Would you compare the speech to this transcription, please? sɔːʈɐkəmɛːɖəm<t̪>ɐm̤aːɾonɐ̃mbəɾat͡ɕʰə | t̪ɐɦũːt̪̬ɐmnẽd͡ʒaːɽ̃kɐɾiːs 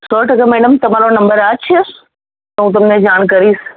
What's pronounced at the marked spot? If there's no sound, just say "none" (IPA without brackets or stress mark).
t̪